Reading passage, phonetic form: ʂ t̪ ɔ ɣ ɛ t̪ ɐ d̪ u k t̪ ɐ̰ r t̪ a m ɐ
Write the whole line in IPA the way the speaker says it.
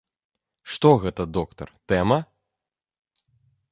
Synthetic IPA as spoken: ʂ t̪ ɔ ɣ ɛ t̪ ɐ d̪ ɔ k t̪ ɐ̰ r t̪ ɛ m ɐ